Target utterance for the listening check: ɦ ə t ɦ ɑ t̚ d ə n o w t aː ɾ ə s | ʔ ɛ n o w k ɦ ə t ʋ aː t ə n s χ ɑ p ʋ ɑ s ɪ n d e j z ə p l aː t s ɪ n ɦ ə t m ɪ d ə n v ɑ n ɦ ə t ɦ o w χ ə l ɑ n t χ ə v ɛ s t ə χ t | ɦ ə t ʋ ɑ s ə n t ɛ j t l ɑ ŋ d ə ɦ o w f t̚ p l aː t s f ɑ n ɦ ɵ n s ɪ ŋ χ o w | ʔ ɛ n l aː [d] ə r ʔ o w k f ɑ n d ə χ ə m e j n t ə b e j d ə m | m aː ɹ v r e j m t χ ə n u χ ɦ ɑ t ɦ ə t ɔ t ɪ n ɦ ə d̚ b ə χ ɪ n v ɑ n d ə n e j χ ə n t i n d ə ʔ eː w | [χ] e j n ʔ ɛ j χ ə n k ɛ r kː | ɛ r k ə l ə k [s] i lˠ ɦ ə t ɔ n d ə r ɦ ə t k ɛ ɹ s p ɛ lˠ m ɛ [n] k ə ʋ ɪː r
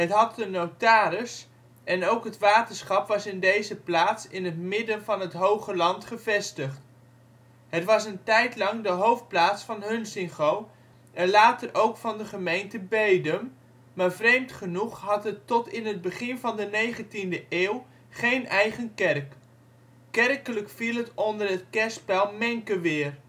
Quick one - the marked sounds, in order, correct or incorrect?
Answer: incorrect: t, correct, incorrect: f, incorrect: ŋ

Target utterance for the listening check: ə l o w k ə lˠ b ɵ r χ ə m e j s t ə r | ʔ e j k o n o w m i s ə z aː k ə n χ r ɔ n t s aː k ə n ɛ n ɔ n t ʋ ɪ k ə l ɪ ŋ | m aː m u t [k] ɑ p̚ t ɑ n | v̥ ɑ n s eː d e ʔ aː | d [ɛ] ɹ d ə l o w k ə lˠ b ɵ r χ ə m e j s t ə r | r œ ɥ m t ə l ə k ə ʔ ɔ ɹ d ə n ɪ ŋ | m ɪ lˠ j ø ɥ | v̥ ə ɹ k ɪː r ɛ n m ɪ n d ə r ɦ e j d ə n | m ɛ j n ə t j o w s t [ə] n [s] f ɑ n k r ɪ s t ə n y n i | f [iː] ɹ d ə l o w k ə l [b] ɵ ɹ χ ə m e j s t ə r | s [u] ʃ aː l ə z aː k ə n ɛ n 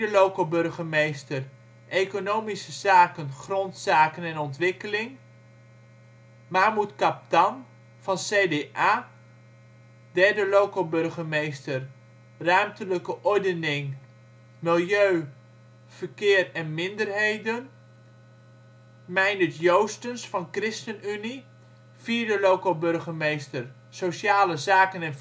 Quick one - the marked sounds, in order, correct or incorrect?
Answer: correct, correct, correct, correct, correct, correct, incorrect: o

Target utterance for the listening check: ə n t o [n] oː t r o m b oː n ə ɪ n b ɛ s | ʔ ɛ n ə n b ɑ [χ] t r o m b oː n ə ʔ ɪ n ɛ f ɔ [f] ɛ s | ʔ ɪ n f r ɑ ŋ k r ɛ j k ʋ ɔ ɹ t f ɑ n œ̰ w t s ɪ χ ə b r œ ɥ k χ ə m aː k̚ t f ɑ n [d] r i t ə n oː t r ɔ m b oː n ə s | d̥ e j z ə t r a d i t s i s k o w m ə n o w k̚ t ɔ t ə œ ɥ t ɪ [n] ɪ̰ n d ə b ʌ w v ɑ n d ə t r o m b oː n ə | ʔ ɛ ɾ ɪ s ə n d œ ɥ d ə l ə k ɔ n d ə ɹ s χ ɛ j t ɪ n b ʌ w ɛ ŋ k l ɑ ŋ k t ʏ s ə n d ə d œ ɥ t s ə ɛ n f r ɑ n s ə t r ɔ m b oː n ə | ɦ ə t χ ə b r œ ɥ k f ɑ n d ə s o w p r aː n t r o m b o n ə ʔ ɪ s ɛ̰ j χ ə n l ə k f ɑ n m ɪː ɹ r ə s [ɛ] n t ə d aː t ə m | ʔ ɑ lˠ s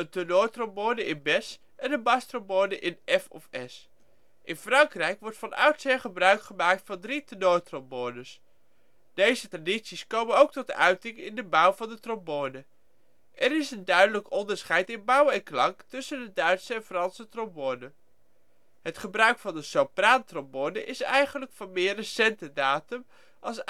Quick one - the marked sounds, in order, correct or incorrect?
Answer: correct, incorrect: s, correct, correct, incorrect: ŋ, correct

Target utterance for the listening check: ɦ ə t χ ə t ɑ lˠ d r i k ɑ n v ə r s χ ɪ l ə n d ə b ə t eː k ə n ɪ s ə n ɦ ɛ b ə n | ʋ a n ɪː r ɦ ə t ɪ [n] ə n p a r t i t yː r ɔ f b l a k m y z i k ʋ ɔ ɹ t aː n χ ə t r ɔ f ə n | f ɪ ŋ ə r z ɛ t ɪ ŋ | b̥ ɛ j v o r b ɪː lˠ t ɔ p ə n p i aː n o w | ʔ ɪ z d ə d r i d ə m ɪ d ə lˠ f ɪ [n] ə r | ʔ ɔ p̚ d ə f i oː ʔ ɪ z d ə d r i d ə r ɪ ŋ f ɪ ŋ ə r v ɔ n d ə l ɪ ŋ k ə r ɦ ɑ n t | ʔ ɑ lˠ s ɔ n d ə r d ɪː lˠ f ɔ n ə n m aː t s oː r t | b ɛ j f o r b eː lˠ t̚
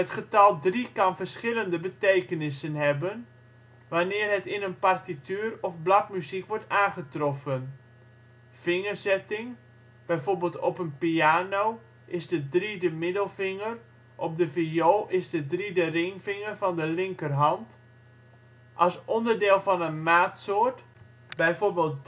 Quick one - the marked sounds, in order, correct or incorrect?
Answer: correct, incorrect: ŋ

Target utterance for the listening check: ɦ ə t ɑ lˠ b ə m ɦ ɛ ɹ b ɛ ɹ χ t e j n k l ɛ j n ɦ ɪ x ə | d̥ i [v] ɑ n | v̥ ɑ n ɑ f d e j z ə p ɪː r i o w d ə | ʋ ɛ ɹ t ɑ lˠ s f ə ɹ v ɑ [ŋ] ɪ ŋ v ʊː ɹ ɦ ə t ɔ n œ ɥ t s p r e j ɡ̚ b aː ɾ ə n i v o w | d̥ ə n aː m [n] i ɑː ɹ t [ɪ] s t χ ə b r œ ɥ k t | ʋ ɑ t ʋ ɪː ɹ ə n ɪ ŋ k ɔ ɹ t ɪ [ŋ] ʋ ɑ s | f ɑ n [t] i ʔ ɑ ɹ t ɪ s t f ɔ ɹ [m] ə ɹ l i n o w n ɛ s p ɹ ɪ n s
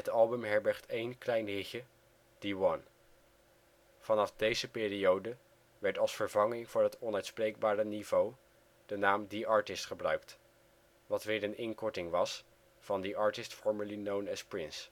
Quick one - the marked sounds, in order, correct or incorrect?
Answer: incorrect: w, correct, incorrect: d, correct, correct, incorrect: d, correct

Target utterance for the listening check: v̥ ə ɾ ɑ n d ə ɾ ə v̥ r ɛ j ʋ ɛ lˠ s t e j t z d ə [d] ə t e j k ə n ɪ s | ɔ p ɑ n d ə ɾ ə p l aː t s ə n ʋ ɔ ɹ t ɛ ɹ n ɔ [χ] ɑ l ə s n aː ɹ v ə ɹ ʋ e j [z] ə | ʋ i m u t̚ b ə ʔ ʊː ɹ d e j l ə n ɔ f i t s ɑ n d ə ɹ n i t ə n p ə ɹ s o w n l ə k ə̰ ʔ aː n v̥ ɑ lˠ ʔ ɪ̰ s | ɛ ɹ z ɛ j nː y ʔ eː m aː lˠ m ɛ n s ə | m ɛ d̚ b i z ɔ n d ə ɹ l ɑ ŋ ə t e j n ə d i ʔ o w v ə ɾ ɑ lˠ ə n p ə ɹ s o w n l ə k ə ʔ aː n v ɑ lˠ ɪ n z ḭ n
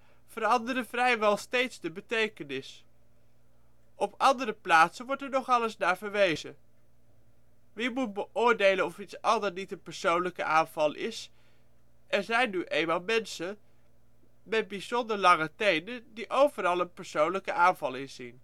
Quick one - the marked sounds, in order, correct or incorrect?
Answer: incorrect: b, correct, correct

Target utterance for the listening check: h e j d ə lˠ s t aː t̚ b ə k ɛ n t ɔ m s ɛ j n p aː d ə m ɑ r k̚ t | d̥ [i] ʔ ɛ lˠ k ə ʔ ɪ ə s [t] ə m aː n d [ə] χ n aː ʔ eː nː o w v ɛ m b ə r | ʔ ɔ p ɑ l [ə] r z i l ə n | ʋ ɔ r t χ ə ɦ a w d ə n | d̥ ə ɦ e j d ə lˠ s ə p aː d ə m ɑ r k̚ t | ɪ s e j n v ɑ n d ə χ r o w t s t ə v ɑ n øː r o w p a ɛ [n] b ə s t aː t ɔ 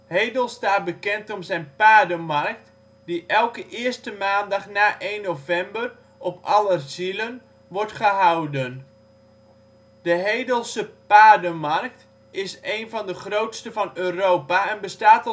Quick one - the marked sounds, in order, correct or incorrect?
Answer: correct, correct, incorrect: ɑ, correct, correct

